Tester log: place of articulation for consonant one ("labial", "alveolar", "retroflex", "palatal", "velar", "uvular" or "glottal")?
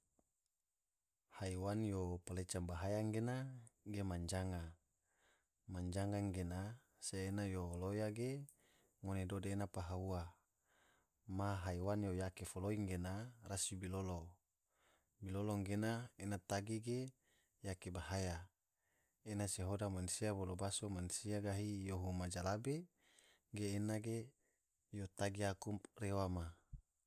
glottal